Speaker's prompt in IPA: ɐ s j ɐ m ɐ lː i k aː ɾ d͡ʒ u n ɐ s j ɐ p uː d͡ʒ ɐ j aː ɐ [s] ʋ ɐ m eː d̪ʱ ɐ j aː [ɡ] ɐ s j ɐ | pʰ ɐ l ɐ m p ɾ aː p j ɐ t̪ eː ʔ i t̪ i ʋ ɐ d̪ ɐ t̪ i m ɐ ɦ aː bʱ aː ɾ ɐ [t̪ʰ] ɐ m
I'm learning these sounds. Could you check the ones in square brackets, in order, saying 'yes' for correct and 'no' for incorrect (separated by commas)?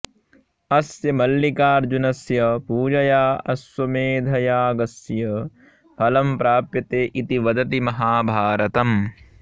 yes, yes, no